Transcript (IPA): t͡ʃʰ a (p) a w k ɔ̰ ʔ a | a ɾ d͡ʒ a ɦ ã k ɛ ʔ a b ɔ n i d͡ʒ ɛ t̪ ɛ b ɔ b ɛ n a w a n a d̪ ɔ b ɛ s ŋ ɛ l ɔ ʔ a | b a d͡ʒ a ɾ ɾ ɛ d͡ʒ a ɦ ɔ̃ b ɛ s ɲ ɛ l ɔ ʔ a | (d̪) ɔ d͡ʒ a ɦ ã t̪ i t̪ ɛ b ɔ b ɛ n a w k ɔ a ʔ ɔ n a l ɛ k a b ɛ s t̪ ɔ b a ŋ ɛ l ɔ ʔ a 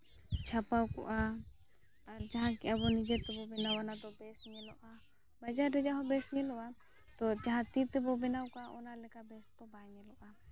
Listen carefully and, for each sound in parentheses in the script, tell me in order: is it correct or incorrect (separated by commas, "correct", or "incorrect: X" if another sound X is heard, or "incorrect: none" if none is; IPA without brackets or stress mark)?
correct, incorrect: t̪